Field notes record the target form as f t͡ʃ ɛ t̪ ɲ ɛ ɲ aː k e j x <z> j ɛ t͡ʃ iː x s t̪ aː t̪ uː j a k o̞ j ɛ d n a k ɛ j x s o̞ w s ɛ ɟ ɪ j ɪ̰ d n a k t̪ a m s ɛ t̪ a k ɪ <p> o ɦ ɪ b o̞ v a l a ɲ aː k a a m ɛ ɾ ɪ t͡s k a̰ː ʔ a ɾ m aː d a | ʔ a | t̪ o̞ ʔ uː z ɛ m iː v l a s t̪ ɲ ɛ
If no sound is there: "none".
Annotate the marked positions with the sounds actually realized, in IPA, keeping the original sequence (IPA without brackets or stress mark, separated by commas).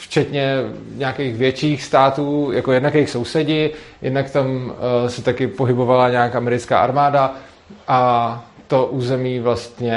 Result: v, p